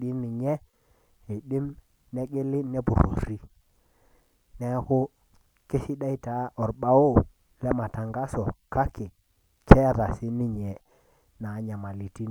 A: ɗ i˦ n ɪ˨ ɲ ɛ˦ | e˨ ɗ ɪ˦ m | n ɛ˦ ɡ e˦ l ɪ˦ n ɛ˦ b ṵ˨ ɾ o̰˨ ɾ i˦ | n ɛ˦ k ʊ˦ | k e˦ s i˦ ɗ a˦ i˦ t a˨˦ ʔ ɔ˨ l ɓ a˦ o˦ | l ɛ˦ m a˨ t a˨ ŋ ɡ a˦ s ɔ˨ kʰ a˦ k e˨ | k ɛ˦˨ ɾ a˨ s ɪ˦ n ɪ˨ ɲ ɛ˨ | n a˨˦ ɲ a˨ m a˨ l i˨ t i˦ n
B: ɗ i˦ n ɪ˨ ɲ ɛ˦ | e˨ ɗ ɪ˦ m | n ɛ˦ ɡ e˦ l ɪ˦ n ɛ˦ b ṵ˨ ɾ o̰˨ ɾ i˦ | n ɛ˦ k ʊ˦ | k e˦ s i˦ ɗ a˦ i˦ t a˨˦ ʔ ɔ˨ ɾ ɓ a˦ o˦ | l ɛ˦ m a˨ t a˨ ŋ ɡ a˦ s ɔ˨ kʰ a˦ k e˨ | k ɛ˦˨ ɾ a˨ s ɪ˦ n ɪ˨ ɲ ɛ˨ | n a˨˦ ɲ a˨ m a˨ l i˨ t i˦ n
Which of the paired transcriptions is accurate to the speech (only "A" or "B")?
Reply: B